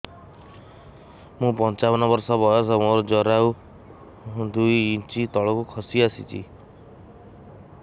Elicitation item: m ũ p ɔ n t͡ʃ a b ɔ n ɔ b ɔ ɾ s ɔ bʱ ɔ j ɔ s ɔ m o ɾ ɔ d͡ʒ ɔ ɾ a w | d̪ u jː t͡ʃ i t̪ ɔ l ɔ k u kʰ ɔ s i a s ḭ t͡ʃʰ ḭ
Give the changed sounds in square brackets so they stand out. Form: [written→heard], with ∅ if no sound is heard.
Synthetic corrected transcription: m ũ p ɔ n t͡ʃ a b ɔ n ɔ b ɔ ɾ s ɔ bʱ ɔ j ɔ s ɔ m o ɾ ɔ d͡ʒ ɔ ɾ a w | d̪ u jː t͡ʃ i t̪ ɔ [l→ɭ] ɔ k u kʰ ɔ s i a s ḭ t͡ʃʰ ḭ